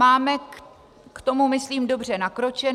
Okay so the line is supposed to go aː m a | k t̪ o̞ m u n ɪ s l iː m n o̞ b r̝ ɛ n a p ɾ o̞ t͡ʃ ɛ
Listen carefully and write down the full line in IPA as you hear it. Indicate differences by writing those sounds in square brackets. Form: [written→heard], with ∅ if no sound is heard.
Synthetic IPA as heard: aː m [a→ɛ] | k t̪ o̞ m u [n→m] ɪ s l iː m [n→d] o̞ b r̝ ɛ n a [p→k] ɾ o̞ t͡ʃ ɛ